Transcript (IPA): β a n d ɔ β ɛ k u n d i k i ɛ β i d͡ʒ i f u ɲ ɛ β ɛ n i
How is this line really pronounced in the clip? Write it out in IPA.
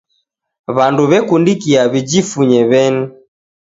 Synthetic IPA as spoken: β a n d u β ɛ k u n d i k i a β i d͡ʒ i f u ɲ ɛ β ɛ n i